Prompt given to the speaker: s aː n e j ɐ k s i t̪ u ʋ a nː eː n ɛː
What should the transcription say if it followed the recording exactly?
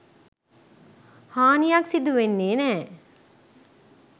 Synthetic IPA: h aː n i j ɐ k s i d̪ u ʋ e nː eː n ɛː